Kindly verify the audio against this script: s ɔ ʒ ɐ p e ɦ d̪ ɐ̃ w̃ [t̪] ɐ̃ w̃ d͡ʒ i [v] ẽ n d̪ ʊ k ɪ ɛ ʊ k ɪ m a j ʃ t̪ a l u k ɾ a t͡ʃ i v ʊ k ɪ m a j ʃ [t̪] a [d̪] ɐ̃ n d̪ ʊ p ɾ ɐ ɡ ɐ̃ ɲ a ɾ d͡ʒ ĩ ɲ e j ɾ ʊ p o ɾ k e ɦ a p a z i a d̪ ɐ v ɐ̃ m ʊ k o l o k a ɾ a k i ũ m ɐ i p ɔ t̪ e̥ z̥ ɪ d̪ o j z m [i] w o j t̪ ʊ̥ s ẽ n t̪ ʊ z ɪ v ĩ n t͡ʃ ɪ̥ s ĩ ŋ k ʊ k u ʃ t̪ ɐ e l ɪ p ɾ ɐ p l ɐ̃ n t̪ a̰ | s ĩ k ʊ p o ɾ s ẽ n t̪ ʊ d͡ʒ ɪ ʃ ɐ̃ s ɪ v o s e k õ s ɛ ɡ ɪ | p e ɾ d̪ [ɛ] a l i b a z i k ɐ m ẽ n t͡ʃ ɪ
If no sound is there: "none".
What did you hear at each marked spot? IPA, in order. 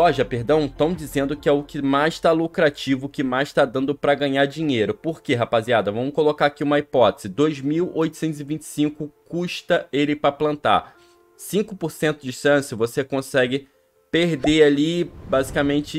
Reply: t̪, z, t̪, d̪, i, e

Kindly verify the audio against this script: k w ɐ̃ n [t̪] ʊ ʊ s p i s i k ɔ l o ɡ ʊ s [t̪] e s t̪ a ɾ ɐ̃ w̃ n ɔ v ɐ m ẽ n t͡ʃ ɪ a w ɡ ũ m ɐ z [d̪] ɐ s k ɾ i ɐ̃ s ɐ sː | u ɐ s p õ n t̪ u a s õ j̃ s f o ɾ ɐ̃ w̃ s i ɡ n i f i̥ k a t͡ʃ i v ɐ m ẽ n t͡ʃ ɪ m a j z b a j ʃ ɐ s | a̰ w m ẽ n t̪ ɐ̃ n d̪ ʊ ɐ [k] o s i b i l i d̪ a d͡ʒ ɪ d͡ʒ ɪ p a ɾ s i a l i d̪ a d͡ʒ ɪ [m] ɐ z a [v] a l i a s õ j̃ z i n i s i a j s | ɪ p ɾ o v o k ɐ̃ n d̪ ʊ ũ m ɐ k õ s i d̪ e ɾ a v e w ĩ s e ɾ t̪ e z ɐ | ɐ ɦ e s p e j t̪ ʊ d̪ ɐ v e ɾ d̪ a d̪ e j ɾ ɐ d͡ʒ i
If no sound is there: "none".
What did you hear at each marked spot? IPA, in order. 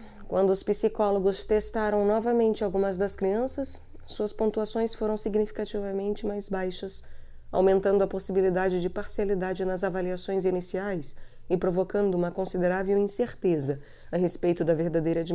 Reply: d̪, t̪, d̪, p, n, v

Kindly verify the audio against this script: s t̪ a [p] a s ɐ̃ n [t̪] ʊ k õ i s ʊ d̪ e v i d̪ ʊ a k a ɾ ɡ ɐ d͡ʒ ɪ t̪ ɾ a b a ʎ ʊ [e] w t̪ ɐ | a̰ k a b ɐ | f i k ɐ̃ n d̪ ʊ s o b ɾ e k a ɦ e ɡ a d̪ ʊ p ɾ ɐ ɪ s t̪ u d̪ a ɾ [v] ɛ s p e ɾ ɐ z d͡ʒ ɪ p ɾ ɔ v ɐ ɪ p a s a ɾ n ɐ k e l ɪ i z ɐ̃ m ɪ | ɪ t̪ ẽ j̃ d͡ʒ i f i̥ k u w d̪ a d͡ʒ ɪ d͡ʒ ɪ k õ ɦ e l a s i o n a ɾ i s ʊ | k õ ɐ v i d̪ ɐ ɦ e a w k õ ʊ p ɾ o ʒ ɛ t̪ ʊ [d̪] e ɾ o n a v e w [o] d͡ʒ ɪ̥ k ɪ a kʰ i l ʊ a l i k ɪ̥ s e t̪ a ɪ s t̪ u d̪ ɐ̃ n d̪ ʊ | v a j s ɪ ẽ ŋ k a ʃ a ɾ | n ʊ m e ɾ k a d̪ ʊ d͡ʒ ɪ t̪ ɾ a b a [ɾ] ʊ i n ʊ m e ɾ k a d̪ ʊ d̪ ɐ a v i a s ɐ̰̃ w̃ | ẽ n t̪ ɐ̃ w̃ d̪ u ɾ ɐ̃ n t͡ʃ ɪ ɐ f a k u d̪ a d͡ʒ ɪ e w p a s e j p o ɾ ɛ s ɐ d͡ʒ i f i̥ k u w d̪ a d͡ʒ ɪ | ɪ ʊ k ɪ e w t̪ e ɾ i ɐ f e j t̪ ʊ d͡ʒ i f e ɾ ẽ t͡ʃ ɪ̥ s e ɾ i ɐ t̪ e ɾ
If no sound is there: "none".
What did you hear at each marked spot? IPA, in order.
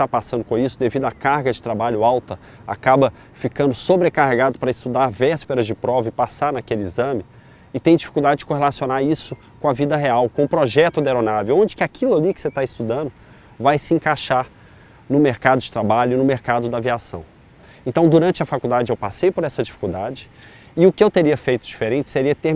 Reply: p, d̪, a, v, d̪, õ, ʎ

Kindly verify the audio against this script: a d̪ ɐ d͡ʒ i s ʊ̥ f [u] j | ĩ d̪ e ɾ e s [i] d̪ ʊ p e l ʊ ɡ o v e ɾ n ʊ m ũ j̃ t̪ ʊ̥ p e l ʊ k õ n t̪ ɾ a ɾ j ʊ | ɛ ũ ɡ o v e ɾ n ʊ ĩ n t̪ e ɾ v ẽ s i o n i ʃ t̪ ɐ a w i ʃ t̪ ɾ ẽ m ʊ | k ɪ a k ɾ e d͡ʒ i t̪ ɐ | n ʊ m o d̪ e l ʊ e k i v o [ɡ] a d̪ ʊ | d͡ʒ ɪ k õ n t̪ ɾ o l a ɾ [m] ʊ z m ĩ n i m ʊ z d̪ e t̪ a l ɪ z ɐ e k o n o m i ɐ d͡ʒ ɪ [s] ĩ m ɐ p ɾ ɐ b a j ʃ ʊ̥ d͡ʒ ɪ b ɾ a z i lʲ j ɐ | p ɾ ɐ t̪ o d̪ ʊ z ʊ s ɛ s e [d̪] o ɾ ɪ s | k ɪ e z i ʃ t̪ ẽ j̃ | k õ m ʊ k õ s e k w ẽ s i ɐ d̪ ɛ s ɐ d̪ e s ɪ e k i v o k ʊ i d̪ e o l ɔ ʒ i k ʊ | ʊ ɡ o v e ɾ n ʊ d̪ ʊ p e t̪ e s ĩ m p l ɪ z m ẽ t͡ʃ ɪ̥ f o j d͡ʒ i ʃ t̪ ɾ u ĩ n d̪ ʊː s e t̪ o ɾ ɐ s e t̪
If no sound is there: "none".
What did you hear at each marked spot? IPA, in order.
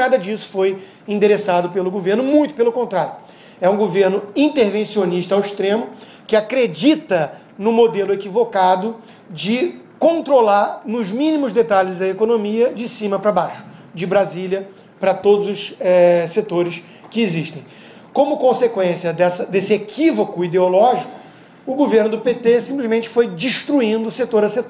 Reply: o, a, k, n, s, t̪

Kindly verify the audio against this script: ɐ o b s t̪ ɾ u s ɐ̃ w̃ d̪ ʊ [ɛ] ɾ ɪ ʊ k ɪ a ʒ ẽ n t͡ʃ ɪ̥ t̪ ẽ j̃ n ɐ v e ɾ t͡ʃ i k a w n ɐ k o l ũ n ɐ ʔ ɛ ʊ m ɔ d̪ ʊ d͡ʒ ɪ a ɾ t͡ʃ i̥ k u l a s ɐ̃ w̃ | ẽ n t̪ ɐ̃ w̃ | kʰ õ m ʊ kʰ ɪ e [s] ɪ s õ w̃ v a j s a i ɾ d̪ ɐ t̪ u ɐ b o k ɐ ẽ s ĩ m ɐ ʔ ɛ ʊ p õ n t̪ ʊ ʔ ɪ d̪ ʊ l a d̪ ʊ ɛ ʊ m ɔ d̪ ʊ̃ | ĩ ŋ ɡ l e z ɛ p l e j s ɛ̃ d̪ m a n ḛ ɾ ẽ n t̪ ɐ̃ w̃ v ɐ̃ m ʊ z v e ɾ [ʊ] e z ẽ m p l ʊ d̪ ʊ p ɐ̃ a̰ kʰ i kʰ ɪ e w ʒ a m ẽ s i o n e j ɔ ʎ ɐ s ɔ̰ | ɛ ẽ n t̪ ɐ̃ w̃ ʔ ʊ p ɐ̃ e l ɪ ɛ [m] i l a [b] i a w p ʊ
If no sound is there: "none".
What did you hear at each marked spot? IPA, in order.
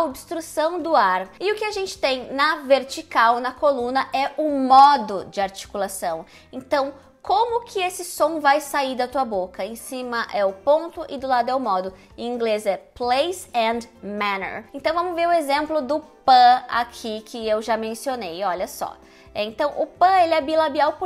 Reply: a, s, ʊ, b, b

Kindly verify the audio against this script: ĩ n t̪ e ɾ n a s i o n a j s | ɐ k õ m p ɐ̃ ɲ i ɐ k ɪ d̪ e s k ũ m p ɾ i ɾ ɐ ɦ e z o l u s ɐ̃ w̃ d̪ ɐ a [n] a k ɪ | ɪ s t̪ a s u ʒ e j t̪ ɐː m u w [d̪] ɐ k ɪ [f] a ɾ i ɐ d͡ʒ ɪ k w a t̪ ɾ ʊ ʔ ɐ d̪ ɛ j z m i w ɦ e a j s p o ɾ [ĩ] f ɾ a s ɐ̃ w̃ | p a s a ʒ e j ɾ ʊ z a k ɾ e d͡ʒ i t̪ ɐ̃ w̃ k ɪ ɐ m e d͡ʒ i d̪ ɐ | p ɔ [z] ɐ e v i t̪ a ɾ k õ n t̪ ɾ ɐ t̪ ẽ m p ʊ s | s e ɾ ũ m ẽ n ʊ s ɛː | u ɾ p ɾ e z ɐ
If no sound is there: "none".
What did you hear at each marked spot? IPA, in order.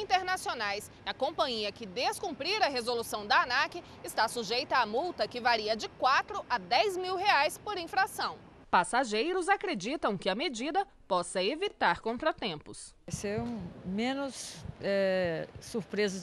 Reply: n, t̪, v, ĩ, s

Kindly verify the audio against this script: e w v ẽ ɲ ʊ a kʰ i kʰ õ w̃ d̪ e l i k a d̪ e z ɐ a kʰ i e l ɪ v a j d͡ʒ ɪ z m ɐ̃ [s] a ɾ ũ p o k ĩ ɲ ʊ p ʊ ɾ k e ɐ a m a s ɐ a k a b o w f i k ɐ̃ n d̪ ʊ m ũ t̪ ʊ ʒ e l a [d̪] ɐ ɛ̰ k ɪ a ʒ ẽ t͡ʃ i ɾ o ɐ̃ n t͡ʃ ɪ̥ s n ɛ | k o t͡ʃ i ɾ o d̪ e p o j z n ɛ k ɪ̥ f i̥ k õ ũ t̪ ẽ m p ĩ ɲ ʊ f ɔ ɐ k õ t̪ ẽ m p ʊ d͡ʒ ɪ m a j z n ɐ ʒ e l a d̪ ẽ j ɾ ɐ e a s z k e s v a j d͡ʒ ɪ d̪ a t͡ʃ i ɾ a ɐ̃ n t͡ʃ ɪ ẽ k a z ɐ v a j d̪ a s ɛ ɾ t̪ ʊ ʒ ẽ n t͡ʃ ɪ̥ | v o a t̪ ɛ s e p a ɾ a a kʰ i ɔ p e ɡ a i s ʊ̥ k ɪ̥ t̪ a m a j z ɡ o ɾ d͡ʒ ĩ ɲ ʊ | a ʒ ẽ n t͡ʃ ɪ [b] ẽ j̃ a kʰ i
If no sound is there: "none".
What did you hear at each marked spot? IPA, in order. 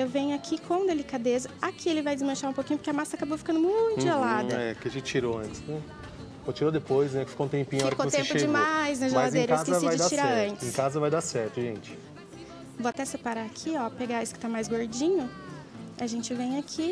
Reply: ʃ, d̪, v

